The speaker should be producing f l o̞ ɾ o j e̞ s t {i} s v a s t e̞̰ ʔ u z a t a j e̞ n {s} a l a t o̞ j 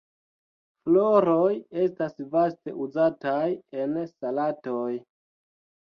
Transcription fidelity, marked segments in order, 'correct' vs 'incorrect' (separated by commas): incorrect, correct